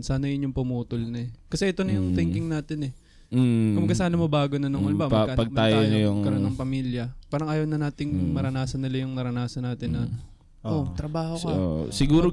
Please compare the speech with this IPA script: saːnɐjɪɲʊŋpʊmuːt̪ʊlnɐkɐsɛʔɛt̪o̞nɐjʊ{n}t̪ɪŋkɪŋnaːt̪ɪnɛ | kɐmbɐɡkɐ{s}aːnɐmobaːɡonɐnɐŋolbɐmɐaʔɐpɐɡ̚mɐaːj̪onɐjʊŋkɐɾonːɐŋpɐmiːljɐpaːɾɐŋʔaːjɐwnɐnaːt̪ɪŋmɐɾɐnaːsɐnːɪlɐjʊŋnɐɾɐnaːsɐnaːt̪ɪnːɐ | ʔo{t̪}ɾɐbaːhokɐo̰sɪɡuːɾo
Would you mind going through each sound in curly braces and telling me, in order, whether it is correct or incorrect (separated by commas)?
incorrect, correct, correct